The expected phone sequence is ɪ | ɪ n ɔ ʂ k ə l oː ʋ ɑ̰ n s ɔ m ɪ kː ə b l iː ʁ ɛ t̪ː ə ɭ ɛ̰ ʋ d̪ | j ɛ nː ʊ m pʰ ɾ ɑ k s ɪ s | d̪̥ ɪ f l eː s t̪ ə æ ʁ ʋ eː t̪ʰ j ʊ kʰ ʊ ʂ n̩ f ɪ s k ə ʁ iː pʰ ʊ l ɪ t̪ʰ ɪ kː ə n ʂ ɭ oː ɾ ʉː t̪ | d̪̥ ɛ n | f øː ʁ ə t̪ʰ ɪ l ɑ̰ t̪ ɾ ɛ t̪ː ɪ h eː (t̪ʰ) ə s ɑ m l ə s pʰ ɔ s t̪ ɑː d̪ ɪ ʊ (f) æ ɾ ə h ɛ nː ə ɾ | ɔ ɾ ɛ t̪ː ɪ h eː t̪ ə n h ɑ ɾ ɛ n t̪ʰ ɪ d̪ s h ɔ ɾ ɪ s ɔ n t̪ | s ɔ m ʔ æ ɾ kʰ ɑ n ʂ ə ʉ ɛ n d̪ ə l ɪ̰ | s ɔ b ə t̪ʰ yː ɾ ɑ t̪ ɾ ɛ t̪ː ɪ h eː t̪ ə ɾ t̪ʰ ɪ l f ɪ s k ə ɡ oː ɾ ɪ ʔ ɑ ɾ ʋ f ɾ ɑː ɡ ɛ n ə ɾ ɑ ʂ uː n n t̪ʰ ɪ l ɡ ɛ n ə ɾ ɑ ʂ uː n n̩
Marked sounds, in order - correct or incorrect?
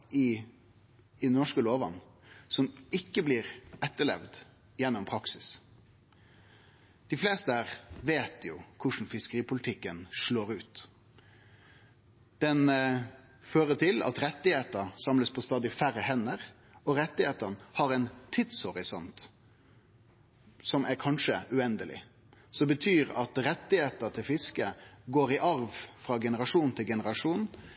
incorrect, correct

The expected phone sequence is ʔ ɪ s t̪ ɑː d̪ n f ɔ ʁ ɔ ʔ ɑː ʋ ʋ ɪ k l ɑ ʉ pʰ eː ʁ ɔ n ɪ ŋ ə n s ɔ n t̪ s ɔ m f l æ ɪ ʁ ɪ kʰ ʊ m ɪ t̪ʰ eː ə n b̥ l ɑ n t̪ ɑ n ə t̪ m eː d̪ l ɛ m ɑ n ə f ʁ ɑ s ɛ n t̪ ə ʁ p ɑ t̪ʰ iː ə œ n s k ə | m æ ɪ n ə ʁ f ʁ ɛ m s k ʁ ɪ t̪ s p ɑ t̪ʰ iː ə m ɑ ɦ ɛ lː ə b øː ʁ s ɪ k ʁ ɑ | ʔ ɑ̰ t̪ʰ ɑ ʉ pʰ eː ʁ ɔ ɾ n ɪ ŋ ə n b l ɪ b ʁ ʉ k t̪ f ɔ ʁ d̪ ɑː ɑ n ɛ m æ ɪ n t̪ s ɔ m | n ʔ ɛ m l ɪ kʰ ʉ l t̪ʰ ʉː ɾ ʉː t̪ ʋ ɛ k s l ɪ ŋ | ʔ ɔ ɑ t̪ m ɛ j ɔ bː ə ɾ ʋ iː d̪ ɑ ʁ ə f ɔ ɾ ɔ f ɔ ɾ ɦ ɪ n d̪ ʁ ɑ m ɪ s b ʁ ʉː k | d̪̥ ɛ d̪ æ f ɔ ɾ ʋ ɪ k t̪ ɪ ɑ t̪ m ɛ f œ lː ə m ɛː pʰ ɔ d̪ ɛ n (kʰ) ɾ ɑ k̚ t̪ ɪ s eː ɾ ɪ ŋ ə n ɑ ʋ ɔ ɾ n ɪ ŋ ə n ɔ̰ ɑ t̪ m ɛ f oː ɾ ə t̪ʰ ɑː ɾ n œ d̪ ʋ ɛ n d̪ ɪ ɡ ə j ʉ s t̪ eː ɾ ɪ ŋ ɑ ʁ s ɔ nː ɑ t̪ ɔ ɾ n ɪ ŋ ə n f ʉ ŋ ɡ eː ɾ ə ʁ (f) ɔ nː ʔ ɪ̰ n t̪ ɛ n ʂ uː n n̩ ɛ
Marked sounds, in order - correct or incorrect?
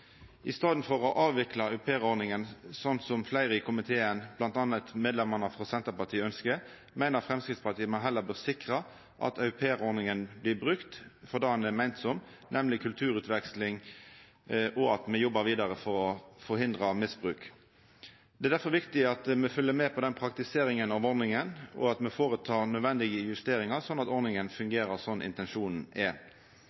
incorrect, incorrect

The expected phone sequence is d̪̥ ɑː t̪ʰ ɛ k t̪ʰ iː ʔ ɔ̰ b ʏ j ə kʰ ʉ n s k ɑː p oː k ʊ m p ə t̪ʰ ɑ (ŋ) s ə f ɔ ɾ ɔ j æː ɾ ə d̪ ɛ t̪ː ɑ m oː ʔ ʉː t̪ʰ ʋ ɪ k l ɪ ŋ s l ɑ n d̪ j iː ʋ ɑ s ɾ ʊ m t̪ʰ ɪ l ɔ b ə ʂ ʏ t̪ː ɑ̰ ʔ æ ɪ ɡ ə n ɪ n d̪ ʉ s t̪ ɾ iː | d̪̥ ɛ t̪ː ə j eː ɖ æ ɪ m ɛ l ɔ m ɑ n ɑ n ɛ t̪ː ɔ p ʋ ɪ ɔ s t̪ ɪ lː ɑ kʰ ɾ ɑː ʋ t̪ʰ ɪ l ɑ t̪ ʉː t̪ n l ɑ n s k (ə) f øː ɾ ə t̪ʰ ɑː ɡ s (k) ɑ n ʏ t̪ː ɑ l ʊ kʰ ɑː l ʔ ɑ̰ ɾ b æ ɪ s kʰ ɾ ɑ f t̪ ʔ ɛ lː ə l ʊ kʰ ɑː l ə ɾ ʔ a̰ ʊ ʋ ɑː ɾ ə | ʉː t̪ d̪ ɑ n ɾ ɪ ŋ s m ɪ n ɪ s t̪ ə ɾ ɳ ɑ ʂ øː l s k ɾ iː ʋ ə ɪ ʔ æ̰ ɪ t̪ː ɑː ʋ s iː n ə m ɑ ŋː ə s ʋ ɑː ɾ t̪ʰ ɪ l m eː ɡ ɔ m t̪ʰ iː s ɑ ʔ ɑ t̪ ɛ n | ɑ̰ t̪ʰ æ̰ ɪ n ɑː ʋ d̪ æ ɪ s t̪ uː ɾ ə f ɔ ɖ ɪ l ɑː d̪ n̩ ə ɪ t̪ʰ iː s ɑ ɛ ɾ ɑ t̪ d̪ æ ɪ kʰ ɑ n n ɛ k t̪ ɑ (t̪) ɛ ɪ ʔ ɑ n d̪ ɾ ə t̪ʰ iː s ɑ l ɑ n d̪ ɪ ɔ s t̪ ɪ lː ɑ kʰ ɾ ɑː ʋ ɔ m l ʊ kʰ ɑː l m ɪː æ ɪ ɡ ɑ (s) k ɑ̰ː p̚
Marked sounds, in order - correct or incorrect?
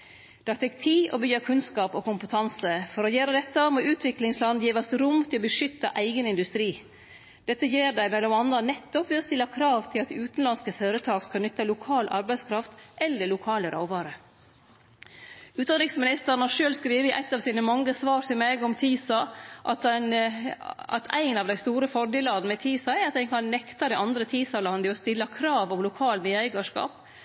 incorrect, correct, correct, incorrect, incorrect

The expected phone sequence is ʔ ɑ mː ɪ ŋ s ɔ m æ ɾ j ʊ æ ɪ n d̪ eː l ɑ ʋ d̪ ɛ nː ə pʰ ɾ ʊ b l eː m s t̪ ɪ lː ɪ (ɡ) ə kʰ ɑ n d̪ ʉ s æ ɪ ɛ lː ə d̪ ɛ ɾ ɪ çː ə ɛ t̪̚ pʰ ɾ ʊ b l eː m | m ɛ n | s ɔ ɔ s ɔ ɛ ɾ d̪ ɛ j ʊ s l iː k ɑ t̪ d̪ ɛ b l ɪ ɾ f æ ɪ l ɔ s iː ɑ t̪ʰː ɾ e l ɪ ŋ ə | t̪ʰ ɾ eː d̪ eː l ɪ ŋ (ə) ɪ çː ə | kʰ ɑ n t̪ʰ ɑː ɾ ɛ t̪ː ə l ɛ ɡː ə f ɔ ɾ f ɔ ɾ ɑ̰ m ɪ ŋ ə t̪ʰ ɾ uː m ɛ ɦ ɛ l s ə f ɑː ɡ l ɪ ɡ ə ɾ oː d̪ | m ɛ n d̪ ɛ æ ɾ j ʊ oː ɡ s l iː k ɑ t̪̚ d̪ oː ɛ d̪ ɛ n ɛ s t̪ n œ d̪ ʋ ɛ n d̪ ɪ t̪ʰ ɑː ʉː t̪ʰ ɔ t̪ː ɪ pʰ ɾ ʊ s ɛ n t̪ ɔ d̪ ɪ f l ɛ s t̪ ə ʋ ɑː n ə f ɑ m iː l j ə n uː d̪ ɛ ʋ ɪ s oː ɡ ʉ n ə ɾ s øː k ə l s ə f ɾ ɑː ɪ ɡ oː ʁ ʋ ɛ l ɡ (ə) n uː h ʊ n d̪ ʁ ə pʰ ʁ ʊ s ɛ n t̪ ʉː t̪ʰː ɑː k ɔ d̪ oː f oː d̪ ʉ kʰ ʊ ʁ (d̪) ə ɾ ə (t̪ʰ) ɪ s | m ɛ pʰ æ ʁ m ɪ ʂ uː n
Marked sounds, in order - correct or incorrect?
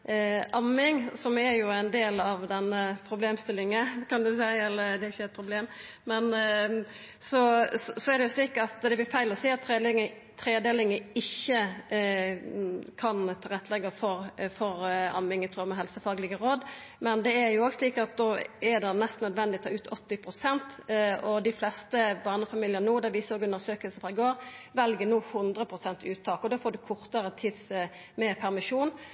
incorrect, correct, correct, incorrect, correct

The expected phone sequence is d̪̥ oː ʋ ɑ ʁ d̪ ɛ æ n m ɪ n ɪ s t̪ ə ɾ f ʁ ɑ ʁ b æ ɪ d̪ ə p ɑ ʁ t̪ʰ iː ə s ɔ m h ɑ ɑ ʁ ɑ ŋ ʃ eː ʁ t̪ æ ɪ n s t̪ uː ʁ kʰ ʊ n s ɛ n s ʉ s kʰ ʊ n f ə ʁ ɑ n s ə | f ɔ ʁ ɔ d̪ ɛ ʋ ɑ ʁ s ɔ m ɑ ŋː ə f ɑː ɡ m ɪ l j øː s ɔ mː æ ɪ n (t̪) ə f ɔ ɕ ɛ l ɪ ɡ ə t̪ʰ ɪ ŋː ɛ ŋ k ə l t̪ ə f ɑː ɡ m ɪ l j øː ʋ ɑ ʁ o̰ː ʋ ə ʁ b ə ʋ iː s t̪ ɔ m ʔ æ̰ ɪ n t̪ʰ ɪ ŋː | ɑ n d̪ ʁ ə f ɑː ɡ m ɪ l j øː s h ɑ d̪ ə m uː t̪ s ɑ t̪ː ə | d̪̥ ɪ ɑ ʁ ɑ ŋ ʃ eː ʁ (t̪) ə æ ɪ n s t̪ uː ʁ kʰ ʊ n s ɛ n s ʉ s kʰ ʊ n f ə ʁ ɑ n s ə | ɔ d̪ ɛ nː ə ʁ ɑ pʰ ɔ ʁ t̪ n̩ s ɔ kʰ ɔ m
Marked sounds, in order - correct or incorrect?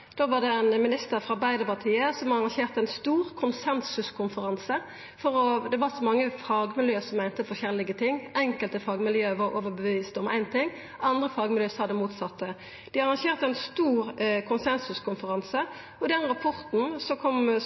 correct, correct

